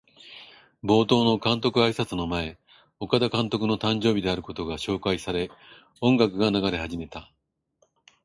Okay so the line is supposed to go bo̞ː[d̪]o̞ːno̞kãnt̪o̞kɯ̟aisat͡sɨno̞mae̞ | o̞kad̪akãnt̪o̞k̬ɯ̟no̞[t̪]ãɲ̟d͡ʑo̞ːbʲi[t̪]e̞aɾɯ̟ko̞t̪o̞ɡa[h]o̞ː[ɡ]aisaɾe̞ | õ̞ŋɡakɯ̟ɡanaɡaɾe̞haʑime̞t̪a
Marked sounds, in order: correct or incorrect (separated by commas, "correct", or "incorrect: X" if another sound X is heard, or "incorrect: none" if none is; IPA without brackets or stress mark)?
incorrect: t̪, correct, incorrect: d̪, incorrect: ɕ, incorrect: k